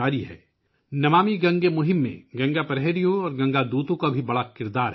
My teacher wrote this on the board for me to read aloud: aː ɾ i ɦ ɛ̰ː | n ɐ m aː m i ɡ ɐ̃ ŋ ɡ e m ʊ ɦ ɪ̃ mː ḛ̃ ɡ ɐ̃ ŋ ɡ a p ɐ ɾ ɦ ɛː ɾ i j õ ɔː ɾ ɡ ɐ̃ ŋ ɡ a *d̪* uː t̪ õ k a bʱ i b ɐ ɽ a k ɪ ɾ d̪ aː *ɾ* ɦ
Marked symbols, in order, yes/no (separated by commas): yes, yes